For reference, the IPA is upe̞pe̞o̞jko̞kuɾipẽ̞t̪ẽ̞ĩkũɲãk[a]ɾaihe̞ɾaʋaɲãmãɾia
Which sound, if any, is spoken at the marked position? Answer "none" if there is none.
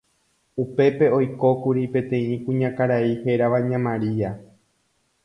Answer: a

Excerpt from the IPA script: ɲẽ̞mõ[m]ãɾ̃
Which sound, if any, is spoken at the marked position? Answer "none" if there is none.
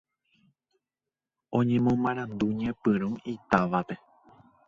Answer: m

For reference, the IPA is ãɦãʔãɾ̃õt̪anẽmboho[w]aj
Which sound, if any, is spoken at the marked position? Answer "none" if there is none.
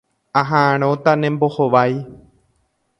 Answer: ʋ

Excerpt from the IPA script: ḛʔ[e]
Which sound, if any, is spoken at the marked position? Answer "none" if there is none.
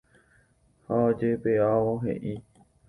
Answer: i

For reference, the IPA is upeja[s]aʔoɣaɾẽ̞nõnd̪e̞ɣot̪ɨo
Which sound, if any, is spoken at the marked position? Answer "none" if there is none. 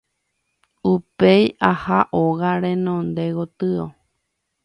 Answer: h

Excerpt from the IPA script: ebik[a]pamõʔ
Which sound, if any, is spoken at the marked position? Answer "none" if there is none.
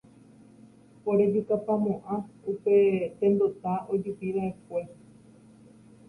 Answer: a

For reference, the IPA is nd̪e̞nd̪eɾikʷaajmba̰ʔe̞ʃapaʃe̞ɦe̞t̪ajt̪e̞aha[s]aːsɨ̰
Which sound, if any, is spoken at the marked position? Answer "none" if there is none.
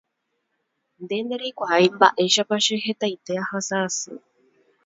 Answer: s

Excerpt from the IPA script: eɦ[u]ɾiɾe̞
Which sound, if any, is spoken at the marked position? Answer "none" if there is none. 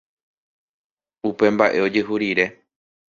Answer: u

